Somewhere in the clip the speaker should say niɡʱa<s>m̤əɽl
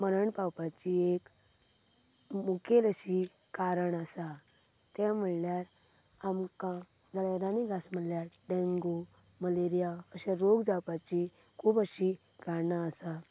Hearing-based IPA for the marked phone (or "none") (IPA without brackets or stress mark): s